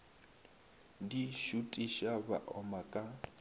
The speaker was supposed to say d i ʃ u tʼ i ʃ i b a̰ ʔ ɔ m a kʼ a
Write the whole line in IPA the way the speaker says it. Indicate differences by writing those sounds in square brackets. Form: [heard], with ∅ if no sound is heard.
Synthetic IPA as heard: d i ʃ u tʼ i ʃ [a] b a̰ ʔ ɔ m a kʼ a